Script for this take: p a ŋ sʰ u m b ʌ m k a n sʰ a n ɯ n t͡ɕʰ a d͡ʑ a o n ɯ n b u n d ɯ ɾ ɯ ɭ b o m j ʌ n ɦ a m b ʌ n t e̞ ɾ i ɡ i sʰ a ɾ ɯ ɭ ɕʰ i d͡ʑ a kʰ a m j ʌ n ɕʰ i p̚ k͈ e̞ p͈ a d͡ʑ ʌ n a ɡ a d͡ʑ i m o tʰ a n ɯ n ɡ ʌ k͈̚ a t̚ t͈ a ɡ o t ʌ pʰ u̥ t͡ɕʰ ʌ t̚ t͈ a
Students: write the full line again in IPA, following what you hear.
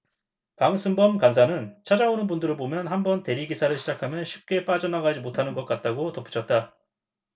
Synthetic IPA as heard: p a ŋ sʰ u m b ʌ m k a n sʰ a n ɯ n t͡ɕʰ a d͡ʑ a o n ɯ n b u n d ɯ ɾ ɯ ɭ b o m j ʌ n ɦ a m b ʌ n t e̞ ɾ i ɡ i sʰ a ɾ ɯ ɭ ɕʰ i d͡ʑ a kʰ a m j ʌ n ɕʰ i p̚ k͈ e̞ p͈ a d͡ʑ ʌ n a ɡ a d͡ʑ i m o tʰ a n ɯ n ɡ ʌ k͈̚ a t̚ t͈ a ɡ o t ʌ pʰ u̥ t͡ɕʰ ʌ t̚ t͈ a